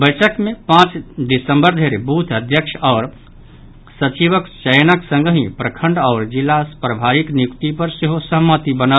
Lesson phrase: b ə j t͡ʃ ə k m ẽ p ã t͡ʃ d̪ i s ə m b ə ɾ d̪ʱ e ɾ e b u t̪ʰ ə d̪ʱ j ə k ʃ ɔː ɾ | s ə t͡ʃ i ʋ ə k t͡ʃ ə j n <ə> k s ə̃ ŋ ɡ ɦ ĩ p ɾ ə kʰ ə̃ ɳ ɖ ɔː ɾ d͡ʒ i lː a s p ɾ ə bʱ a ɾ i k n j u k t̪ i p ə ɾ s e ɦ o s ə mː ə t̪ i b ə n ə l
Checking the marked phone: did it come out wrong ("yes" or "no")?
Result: no